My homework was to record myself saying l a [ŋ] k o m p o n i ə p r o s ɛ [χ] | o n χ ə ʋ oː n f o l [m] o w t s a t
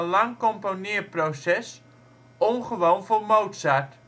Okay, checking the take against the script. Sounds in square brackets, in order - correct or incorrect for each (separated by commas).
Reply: correct, incorrect, correct